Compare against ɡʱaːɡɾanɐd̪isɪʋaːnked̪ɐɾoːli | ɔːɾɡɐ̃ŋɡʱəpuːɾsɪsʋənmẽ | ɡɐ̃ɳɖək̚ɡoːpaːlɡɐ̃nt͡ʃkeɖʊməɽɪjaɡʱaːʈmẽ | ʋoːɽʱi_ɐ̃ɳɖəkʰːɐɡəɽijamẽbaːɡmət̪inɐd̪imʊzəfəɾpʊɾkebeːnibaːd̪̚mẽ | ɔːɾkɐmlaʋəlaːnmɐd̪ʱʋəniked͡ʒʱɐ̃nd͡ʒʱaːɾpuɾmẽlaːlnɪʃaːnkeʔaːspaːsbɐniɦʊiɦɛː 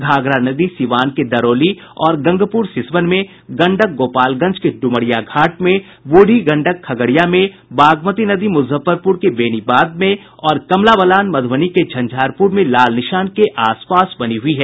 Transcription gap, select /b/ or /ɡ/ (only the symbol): ɡ